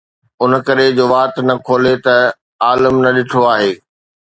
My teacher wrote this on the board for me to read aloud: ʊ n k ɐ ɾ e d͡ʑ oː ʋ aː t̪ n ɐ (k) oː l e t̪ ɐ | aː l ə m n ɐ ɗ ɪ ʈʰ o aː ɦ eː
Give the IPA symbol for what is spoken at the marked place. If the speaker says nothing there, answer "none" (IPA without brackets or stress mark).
kʰ